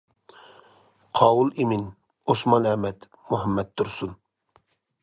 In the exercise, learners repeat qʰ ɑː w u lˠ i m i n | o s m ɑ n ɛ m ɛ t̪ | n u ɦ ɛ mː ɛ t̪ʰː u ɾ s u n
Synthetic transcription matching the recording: qʰ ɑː w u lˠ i m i n | o s m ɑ n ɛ m ɛ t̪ | m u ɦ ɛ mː ɛ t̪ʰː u ɾ s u n